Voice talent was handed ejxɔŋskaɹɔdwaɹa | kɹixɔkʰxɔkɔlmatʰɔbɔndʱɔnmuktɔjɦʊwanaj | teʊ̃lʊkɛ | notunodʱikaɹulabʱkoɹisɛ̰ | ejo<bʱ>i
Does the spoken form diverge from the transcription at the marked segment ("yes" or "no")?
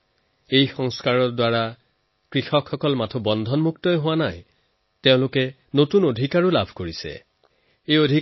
yes